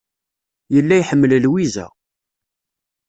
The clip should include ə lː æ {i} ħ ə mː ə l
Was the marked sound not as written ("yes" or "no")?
yes